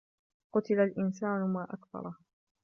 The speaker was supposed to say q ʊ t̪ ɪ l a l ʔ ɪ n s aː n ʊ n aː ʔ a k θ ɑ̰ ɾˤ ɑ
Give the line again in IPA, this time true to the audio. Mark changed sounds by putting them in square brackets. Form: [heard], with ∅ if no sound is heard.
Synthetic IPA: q ʊ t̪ ɪ l a l ʔ ɪ n s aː n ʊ [m] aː ʔ a k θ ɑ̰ ɾˤ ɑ